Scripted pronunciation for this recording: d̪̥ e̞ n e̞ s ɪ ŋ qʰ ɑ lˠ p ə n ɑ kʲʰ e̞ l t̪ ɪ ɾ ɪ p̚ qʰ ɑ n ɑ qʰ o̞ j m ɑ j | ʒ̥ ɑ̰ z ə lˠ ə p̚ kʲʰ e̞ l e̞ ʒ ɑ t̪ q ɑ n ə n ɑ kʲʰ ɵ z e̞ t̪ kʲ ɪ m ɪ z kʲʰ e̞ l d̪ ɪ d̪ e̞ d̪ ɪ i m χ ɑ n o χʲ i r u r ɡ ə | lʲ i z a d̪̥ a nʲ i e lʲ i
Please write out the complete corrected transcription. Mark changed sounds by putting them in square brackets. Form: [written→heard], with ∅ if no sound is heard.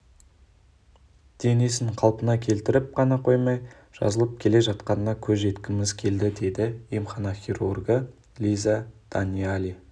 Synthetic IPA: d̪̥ e̞ n e̞ s ɪ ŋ qʰ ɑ lˠ p ə n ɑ kʲʰ e̞ l t̪ ɪ ɾ ɪ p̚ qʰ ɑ n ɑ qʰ o̞ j m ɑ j | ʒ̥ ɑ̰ z ə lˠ ə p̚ kʲʰ e̞ l e̞ ʒ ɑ t̪ q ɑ n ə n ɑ kʲʰ ɵ z e̞ t̪ kʲ ɪ m ɪ z kʲʰ e̞ l d̪ ɪ d̪ e̞ d̪ ɪ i m χ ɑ n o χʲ i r u r ɡ ə | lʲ i z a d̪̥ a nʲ i [e→a] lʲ i